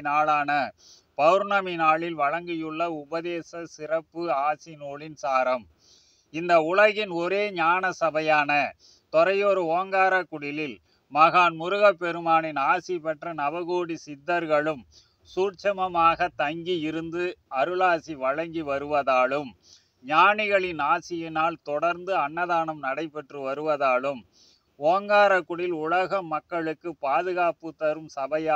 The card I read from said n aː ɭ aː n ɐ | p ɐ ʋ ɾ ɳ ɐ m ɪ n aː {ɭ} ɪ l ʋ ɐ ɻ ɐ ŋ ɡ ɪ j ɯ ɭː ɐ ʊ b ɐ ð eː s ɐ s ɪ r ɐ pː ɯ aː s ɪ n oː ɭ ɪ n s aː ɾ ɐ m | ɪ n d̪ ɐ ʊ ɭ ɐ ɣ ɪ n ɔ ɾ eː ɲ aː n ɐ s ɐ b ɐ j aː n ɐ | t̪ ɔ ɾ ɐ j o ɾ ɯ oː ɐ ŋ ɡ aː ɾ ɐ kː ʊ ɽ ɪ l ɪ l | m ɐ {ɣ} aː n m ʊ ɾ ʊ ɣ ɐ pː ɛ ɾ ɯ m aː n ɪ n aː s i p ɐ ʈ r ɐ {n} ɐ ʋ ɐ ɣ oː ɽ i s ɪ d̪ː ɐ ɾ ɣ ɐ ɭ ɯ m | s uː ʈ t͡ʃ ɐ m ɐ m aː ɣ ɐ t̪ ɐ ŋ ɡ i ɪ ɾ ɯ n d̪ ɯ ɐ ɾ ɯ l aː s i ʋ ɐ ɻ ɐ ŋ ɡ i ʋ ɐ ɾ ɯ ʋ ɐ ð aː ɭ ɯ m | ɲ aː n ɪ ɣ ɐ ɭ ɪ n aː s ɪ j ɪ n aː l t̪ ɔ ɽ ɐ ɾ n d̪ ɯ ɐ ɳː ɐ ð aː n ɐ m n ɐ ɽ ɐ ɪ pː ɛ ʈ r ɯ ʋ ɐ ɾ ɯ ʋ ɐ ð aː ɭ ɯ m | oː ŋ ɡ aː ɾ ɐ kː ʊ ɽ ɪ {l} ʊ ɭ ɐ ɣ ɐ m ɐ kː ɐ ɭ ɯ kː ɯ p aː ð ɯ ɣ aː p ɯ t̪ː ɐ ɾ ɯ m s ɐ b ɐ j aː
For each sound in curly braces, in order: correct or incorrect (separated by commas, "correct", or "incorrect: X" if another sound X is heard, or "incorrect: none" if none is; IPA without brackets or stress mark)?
correct, correct, correct, correct